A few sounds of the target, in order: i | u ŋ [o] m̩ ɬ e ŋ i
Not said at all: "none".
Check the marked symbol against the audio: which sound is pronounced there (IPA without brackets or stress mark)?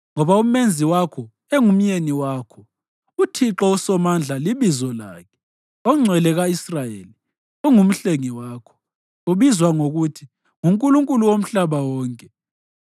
u